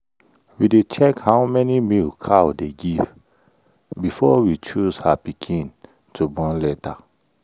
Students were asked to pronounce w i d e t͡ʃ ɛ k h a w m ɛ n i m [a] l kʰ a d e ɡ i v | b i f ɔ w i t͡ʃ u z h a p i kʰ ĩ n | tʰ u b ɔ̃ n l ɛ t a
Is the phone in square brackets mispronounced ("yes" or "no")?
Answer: yes